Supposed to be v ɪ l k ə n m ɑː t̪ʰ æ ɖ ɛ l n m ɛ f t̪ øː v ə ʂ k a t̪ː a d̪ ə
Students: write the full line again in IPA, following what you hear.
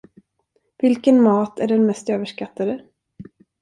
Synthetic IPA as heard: v ɪ l k ə n m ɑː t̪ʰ æ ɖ ɛ n m ɛ s t̪ øː v ə ʂ k a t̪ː a d̪ ə